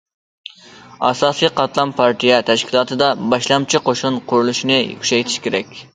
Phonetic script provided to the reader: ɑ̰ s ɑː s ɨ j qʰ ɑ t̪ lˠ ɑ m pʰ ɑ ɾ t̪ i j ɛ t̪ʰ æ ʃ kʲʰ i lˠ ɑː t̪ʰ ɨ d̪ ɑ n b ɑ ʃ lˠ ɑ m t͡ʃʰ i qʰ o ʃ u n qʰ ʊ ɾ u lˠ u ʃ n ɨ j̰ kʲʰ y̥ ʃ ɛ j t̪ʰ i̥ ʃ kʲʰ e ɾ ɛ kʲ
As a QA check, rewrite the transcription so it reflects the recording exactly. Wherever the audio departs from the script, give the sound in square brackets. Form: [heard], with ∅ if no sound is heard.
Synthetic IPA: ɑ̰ s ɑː s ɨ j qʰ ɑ t̪ lˠ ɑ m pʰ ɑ ɾ t̪ i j ɛ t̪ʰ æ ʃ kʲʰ i lˠ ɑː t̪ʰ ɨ d̪ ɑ [∅] b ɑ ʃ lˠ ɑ m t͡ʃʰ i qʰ o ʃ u n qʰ ʊ ɾ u lˠ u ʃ n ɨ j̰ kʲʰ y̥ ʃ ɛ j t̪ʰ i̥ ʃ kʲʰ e ɾ ɛ kʲ

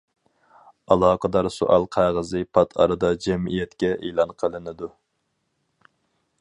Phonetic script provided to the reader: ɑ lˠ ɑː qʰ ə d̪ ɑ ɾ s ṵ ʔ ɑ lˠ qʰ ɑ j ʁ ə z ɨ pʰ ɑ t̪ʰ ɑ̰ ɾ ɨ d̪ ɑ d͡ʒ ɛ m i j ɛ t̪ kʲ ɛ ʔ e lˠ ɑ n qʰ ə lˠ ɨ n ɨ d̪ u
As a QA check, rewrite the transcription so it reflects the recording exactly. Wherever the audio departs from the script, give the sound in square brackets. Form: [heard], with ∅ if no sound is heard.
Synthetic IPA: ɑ lˠ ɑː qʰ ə d̪ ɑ ɾ s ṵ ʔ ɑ lˠ qʰ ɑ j ʁ ə z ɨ pʰ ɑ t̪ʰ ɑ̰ ɾ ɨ d̪ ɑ d͡ʒ ɛ m i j ɛ t̪ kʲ ɛ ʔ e lˠ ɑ n qʰ ə lˠ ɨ n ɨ d̪ u

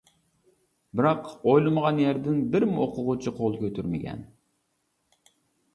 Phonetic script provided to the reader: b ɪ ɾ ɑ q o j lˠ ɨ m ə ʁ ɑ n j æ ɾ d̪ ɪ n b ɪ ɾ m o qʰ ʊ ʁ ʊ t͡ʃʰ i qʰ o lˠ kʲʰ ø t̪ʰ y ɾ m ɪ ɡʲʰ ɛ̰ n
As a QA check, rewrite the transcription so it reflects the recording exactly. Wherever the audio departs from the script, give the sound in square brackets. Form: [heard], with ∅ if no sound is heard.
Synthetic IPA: b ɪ ɾ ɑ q o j lˠ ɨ m ə ʁ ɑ n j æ ɾ d̪ ɪ n b ɪ ɾ m o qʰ ʊ ʁ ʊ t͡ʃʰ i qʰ o lˠ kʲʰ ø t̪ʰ y ɾ m ɪ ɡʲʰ ɛ̰ n

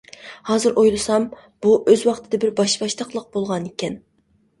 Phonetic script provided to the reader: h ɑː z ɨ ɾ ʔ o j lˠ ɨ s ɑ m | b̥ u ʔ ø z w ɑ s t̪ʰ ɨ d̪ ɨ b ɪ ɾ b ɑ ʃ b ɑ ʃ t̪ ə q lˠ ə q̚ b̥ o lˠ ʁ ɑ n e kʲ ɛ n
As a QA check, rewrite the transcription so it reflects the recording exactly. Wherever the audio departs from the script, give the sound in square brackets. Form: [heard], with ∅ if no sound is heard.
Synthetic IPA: h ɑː z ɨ ɾ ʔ o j lˠ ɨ s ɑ m | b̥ u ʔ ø z w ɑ [χ] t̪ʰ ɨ d̪ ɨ b ɪ ɾ b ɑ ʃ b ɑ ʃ t̪ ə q lˠ ə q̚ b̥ o lˠ ʁ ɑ n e kʲ ɛ n

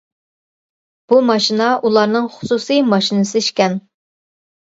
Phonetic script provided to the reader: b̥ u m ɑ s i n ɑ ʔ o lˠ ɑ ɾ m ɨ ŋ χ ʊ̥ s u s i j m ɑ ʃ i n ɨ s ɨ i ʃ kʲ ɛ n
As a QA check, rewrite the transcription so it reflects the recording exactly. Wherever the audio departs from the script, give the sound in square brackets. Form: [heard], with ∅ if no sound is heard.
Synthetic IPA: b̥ u m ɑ [ʃ] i n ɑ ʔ [u] lˠ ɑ ɾ [n] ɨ ŋ χ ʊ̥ s u s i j m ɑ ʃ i n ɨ s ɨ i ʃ kʲ ɛ n

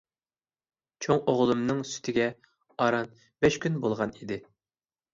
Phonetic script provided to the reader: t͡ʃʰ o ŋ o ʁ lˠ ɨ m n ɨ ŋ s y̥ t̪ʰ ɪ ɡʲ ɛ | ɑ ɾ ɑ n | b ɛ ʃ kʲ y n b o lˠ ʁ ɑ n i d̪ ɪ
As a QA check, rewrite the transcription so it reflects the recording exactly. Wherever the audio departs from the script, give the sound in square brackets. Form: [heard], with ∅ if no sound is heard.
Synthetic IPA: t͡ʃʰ o ŋ o ʁ lˠ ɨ m n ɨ ŋ s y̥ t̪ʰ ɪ ɡʲ ɛ | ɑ ɾ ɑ n | b ɛ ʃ kʲ y n b o lˠ ʁ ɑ n i d̪ ɪ

